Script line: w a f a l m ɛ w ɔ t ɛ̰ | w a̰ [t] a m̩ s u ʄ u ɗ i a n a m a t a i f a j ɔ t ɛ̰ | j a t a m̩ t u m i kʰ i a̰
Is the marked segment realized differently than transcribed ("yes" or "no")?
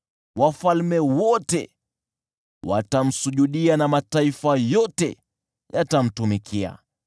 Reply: no